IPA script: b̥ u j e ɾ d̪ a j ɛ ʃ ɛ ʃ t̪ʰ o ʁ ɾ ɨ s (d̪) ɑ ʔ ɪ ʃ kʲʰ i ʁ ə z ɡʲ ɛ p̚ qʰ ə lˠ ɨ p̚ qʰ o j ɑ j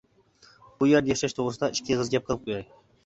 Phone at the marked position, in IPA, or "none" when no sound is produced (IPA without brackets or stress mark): d̪